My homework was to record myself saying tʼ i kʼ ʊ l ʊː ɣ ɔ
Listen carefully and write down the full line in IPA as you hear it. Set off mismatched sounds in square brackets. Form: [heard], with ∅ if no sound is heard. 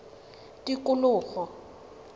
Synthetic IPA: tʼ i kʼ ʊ l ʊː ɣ ɔ

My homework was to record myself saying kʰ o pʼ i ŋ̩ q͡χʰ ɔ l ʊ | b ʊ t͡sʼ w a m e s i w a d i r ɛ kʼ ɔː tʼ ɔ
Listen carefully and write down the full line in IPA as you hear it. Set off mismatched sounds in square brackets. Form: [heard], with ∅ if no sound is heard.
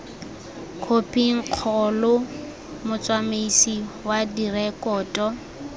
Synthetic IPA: kʰ o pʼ i ŋ̩ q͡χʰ ɔ l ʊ | [m] ʊ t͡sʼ w a m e s i w a d i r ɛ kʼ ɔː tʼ ɔ

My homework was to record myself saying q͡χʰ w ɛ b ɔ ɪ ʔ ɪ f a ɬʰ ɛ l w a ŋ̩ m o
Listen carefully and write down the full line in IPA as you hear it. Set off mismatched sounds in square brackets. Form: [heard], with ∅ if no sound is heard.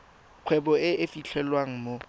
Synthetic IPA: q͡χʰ w ɛ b ɔ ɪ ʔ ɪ f [i] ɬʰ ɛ l w a ŋ̩ m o

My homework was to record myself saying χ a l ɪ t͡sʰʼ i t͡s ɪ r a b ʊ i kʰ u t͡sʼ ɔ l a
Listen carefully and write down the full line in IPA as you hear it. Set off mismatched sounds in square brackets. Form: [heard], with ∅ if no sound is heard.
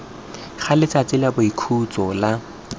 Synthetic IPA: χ a l ɪ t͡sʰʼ [a] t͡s ɪ [l] a b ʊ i kʰ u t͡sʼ ɔ l a

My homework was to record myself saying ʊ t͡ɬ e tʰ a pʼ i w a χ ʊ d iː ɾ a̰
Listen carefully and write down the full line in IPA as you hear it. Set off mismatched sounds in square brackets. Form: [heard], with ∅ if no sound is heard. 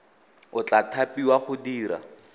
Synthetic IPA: ʊ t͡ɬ [a] tʰ a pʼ i w a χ ʊ d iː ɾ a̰

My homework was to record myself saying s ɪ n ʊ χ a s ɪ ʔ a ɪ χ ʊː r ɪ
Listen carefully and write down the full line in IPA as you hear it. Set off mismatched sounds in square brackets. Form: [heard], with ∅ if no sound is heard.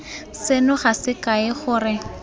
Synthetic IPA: s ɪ n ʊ χ a s ɪ [k] a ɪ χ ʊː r ɪ

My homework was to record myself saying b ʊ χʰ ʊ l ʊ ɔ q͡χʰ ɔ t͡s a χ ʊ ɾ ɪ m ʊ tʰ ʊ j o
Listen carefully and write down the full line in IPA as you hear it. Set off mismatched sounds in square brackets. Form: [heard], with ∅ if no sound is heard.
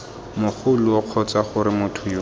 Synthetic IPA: [m] ʊ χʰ ʊ l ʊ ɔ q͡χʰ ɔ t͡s a χ ʊ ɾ ɪ m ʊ tʰ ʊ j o

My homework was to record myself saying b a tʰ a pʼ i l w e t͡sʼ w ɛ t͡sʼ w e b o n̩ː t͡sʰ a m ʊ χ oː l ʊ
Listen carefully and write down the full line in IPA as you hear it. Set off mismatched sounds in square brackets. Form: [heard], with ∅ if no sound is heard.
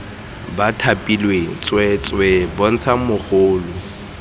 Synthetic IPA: b a tʰ a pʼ i l w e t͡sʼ w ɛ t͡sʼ w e b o [n̩] t͡sʰ a m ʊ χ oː l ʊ

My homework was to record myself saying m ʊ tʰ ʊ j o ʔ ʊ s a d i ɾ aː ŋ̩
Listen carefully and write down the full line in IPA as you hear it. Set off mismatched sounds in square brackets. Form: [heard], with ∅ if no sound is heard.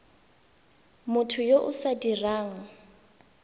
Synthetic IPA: m ʊ tʰ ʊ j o ʔ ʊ s a d i [r] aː ŋ̩

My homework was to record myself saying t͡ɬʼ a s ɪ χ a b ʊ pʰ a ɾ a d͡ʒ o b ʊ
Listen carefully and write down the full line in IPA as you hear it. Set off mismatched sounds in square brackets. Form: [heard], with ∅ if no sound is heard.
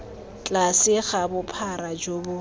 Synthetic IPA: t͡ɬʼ a s ɪ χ a b ʊ pʰ a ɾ a d͡ʒ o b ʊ

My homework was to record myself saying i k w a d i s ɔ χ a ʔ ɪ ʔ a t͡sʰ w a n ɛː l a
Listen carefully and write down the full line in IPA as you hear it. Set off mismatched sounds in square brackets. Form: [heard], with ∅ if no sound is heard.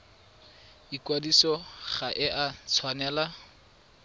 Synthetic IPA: i k w a d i s ɔ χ a ʔ ɪ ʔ a t͡sʰ w a n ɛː l a

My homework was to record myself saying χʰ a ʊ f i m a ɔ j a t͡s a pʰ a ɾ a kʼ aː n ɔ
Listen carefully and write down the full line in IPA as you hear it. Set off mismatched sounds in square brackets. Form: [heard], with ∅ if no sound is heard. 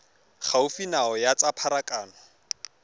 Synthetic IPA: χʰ a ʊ f i [n] a ɔ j a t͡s a pʰ a ɾ a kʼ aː n ɔ

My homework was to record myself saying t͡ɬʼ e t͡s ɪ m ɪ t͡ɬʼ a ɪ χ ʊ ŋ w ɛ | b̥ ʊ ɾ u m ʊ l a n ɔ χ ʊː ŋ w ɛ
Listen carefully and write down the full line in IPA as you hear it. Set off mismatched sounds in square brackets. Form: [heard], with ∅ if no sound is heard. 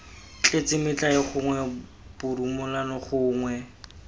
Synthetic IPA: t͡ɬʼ e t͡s ɪ m ɪ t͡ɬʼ a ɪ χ ʊ ŋ w ɛ | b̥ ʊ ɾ u m ʊ l a n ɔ χ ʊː ŋ w ɛ

